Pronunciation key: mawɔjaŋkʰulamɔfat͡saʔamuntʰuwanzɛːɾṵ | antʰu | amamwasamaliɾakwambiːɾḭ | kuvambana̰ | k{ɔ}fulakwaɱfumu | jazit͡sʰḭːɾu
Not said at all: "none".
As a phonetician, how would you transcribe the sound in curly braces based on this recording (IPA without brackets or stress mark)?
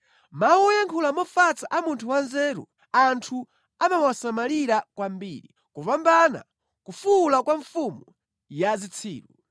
u